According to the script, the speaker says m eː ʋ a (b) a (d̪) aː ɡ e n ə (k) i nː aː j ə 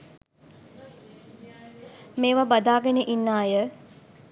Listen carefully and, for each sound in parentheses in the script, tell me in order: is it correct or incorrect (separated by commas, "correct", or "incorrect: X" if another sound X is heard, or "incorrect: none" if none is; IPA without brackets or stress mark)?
correct, correct, incorrect: ʔ